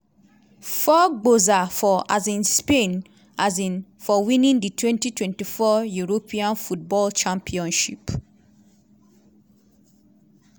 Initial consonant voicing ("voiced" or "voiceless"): voiceless